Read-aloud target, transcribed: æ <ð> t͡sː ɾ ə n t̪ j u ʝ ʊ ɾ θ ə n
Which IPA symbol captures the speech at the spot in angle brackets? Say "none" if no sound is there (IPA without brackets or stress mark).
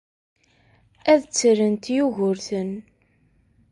ð